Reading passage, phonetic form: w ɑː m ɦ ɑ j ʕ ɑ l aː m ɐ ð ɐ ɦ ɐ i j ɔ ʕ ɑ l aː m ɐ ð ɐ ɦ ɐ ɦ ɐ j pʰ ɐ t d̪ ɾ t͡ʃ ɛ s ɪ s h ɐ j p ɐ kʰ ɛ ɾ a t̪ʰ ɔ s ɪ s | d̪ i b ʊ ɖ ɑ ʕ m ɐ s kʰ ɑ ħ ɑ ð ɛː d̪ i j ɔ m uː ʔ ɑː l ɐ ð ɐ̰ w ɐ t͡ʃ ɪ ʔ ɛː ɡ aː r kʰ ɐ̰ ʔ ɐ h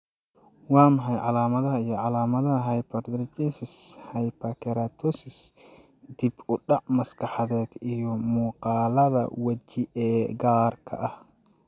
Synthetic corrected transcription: w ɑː m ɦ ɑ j ʕ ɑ l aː m ɐ ð ɐ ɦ ɐ i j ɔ ʕ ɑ l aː m ɐ ð ɐ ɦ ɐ ɦ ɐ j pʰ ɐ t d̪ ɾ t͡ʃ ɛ s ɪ s h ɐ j p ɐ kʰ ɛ ɾ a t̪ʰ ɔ s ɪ s | d̪ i b ʊ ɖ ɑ ʕ m ɐ s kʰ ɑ ħ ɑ ð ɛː d̪ i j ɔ m uː q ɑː l ɐ ð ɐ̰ w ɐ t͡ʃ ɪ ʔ ɛː ɡ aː r kʰ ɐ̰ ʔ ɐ h